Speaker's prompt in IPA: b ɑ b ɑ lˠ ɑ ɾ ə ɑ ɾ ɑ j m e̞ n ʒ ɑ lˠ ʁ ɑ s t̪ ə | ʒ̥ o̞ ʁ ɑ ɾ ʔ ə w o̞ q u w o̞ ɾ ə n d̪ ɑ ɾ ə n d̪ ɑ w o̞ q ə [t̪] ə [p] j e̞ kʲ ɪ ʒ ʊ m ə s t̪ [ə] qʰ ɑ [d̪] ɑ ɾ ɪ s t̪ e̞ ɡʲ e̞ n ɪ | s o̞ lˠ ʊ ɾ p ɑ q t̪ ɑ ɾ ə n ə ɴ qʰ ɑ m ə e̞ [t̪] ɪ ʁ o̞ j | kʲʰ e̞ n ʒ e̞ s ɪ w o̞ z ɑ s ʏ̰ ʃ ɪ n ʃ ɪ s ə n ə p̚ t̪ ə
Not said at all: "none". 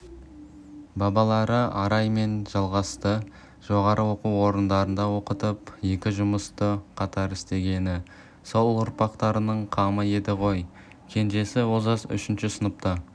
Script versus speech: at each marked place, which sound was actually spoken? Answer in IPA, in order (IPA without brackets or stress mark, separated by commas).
t̪, p, ə, t̪, d̪